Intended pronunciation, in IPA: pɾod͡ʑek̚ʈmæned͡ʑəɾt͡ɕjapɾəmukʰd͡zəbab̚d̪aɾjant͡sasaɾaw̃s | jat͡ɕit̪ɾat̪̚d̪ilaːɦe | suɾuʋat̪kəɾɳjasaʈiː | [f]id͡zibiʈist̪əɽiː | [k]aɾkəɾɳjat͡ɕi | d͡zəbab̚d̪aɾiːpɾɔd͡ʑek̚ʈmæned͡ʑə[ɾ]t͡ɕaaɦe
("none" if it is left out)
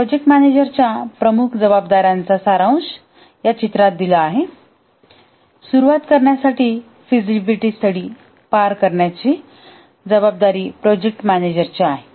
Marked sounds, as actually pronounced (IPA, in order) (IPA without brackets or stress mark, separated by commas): f, p, ɾ